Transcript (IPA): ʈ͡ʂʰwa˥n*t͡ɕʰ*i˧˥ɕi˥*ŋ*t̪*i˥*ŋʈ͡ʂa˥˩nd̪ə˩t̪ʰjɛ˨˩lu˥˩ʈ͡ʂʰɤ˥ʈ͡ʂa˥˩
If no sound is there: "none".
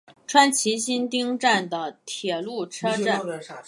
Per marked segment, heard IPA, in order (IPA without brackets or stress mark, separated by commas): t͡ɕʰ, n, i˥